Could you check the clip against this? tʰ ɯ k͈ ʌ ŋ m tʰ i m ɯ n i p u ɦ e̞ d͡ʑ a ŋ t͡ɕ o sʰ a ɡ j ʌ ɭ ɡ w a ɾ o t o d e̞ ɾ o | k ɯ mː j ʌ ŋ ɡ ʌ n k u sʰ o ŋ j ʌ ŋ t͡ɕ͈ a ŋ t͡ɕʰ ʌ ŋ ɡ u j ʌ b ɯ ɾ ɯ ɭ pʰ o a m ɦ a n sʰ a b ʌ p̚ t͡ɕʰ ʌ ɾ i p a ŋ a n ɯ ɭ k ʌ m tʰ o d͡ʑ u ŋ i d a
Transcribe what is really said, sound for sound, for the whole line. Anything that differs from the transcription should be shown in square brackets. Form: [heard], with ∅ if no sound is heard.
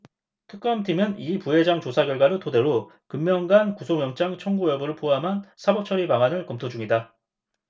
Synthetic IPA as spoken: tʰ ɯ k͈ ʌ [∅] m tʰ i m ɯ n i p u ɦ e̞ d͡ʑ a ŋ t͡ɕ o sʰ a ɡ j ʌ ɭ ɡ w a ɾ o t o d e̞ ɾ o | k ɯ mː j ʌ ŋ ɡ [a] n k u sʰ o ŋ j ʌ ŋ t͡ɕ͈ a ŋ t͡ɕʰ ʌ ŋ ɡ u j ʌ b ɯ ɾ ɯ ɭ pʰ o a m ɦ a n sʰ a b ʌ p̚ t͡ɕʰ ʌ ɾ i p a ŋ a n ɯ ɭ k ʌ m tʰ o d͡ʑ u ŋ i d a